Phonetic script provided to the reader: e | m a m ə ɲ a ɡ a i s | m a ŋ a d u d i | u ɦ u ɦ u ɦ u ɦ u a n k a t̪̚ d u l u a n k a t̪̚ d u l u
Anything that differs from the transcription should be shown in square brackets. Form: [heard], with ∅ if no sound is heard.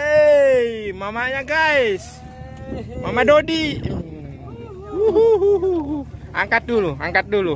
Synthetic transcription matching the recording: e | m a m [a] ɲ a ɡ a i s | m a [m] a d [o] d i | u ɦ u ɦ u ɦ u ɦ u a [ŋ] k a t̪̚ d u l u a [ŋ] k a t̪̚ d u l u

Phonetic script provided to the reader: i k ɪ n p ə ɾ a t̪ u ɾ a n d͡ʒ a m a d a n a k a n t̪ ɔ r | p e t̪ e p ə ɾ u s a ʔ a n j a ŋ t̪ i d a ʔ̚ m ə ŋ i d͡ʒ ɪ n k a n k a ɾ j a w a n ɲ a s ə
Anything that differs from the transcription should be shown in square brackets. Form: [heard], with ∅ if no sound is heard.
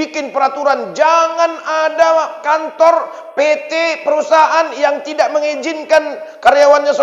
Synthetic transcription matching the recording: i k ɪ n p ə ɾ a t̪ u ɾ a n d͡ʒ a [ŋ] a [n] a [d] a k a n t̪ ɔ r | p e t̪ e p ə ɾ u s a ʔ a n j a ŋ t̪ i d a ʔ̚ m ə ŋ i d͡ʒ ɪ n k a n k a ɾ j a w a n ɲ a s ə

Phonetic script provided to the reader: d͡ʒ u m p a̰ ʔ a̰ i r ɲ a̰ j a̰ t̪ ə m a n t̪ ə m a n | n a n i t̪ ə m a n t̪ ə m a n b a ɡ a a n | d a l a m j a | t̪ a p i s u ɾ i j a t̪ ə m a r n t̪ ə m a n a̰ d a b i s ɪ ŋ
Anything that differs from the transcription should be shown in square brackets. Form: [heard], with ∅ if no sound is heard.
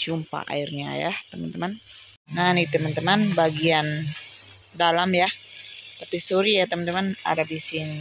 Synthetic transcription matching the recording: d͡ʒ u m p a̰ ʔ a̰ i r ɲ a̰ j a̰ t̪ ə m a n t̪ ə m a n | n a n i t̪ ə m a n t̪ ə m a n b a ɡ [i] a n | d a l a m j a | t̪ a p i s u ɾ i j a t̪ ə m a [∅] n t̪ ə m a n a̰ d a b i s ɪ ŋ

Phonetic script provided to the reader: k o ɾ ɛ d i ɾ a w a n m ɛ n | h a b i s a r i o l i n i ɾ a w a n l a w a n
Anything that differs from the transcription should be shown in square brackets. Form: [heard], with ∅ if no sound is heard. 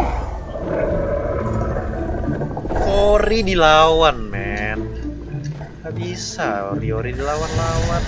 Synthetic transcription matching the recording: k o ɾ [i] d i [l] a w a n m ɛ n | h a b i s a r i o [ɾ] i [d] i [l] a w a n l a w a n

